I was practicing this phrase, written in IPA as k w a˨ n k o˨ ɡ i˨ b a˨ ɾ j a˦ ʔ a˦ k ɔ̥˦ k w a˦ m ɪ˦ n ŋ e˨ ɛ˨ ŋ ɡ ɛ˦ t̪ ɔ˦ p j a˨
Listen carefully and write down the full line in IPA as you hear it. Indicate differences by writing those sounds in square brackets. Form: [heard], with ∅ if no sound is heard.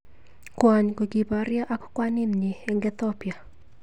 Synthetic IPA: k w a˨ [ɲ] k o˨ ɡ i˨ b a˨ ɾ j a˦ ʔ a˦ k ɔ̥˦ k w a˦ [n] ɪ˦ n [ɲ] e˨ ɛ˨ ŋ ɡ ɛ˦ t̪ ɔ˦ p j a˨